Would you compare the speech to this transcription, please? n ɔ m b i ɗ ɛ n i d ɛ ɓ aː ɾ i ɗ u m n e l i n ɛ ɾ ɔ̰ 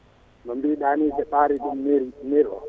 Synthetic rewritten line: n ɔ m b i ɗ a n i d ɛ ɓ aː ɾ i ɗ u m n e ɾ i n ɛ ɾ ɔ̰